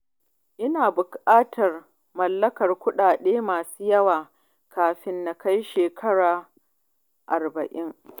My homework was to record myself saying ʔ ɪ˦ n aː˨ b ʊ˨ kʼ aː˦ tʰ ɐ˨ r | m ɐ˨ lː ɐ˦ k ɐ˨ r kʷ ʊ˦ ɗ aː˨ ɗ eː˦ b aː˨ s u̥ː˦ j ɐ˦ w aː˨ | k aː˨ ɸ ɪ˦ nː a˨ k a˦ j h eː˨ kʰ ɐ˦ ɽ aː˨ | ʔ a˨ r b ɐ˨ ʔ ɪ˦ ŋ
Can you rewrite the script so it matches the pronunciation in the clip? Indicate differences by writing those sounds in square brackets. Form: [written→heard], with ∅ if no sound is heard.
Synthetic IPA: ʔ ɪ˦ n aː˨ b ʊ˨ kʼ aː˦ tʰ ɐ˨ r | m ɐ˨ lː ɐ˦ k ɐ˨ r kʷ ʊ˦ ɗ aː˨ ɗ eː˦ [b→m] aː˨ s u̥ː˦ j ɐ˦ w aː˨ | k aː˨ ɸ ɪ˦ nː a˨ k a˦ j [h→ʃ] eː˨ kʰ ɐ˦ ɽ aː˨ | ʔ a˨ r b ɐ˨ ʔ ɪ˦ ŋ